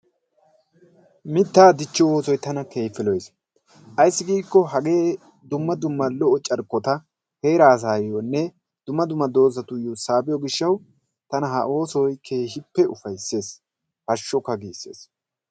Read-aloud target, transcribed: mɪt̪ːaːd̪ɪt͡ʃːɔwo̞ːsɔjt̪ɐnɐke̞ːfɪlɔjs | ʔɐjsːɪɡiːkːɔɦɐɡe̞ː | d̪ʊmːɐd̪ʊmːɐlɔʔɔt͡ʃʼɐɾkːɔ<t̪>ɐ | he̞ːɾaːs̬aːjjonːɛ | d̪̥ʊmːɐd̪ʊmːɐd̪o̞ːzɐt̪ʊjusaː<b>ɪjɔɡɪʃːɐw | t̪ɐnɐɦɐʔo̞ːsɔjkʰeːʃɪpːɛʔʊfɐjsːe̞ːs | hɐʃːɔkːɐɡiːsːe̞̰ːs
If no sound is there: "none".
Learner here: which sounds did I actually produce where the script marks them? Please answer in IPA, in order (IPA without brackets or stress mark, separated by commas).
t̪, b